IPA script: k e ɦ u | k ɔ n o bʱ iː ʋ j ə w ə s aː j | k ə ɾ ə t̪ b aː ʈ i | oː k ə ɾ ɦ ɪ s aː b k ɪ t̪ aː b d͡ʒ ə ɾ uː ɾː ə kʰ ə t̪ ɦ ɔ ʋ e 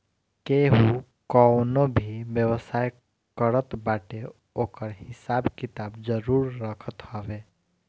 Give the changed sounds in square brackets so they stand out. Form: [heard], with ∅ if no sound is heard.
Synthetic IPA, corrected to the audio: k e ɦ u | k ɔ n o bʱ [i] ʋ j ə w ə s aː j | k ə ɾ ə t̪ b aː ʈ [e] | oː k ə ɾ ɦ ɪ s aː b k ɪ t̪ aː b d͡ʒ ə ɾ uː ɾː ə kʰ ə t̪ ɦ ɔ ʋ e